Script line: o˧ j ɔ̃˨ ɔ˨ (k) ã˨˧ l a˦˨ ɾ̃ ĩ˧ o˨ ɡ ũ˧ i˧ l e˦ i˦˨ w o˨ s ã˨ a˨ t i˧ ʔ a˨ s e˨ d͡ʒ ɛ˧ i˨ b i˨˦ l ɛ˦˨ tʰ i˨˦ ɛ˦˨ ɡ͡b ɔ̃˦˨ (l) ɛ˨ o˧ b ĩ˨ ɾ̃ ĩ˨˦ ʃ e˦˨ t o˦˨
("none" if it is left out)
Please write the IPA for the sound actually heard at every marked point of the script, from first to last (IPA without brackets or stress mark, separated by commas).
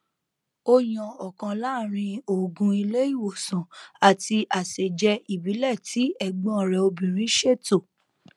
k, ɾ